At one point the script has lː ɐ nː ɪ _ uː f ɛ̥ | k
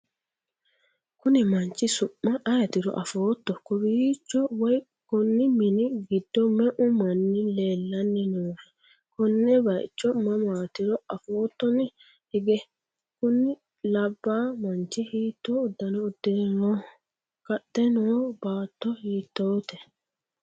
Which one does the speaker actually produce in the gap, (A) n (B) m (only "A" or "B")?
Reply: A